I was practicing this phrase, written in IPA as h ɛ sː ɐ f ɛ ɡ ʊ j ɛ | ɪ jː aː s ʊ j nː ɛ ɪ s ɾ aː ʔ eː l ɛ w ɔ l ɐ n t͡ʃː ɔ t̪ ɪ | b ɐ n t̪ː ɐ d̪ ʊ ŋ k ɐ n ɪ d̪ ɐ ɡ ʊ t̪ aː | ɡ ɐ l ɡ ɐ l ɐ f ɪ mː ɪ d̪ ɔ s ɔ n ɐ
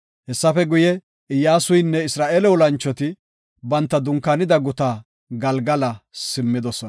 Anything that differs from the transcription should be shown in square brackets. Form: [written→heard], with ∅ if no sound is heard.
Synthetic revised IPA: h ɛ sː ɐ f ɛ ɡ ʊ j ɛ | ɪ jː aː s ʊ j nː ɛ ɪ s ɾ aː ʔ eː l ɛ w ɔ l ɐ n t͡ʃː ɔ t̪ ɪ | b ɐ n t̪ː ɐ d̪ ʊ ŋ k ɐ n ɪ d̪ ɐ ɡ ʊ t̪ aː | ɡ ɐ l ɡ ɐ l ɐ [f→s] ɪ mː ɪ d̪ ɔ s ɔ n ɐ